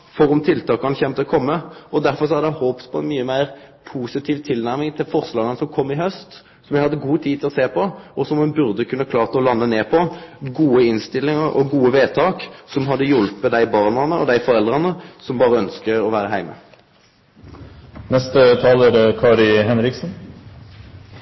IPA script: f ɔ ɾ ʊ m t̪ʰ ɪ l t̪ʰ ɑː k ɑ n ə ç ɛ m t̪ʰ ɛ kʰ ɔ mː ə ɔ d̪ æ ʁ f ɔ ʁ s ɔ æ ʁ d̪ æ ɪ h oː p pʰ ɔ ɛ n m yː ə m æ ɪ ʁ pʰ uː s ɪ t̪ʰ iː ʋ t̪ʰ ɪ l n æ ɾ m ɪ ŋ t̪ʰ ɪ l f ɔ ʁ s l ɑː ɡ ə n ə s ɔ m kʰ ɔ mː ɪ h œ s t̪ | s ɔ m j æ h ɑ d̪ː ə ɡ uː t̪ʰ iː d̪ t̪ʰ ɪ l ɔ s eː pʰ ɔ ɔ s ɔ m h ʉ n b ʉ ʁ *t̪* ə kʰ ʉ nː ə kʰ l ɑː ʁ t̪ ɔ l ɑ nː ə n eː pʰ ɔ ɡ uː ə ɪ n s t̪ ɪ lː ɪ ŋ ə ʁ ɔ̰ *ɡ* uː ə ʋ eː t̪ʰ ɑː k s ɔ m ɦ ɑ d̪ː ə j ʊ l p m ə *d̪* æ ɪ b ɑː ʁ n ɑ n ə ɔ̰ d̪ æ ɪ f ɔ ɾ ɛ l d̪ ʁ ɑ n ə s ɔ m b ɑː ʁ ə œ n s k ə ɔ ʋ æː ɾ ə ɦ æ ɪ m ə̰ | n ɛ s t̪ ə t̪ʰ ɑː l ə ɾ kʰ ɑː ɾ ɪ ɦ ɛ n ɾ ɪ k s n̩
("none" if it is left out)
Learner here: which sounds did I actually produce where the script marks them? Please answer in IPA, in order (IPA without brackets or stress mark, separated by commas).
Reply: d̪, ɡ, d̪